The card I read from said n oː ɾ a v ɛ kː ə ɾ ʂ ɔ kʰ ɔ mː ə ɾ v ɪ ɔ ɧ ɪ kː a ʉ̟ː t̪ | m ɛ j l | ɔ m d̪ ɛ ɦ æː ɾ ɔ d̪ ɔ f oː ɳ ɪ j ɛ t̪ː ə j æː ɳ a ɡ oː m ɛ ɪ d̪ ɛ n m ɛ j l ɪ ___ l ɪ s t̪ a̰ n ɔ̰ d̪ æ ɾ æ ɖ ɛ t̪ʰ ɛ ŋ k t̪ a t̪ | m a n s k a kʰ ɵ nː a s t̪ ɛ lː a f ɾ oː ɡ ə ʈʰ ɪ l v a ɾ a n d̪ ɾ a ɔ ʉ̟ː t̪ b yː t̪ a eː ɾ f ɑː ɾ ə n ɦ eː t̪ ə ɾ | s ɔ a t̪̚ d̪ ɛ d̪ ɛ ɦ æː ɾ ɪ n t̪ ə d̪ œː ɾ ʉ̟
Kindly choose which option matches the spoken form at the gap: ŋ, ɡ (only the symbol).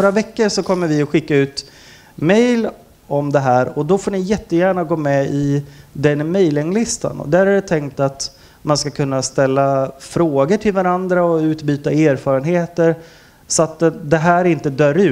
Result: ŋ